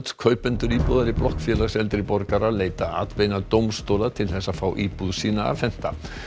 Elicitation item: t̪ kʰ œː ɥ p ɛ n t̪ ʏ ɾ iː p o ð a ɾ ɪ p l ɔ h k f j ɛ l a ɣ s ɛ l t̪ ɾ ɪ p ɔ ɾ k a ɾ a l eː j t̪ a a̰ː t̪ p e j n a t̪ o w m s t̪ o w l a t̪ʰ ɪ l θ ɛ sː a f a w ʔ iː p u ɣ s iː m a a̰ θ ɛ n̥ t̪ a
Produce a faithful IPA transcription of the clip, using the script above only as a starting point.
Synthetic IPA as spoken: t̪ kʰ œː ɥ p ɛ n t̪ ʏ ɾ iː p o ð a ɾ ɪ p l ɔ h k f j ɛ l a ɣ s ɛ l t̪ ɾ ɪ p ɔ ɾ k a ɾ a l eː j t̪ a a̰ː t̪ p e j n a t̪ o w m s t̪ o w l a t̪ʰ ɪ l θ ɛ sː a f a w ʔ iː p u ð s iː n a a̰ f ɛ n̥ t̪ a